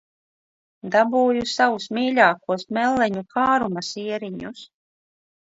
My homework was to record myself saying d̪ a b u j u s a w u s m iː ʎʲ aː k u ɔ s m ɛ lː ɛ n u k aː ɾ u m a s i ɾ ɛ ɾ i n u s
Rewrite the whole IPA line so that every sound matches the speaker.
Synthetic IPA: d̪ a b uː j u s a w u s m iː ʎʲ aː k u ɔ s m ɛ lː ɛ ɲ u k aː ɾ u m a s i ɛ ɾ i ɲ u s